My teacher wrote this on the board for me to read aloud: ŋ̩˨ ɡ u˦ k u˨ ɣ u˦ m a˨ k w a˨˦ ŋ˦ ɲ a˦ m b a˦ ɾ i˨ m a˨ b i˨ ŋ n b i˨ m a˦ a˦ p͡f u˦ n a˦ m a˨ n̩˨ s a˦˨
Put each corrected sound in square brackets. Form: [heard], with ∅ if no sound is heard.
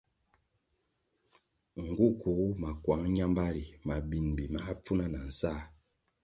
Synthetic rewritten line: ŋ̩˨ ɡ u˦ k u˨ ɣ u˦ m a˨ k w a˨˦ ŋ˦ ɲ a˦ m b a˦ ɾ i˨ m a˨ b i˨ [∅] n b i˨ m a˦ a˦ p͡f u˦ n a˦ [n] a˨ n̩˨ s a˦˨